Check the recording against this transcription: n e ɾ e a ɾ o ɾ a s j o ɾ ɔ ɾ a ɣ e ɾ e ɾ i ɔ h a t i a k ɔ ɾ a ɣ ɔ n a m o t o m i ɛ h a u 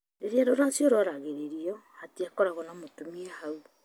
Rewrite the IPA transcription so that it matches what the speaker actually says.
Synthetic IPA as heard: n e ɾ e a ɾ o ɾ a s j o ɾ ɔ ɾ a ɣ e ɾ e ɾ i ɔ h a t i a k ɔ ɾ a ɣ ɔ n a m o t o m i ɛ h a u